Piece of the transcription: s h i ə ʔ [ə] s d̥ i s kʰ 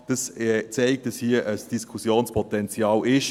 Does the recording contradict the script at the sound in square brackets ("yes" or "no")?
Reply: no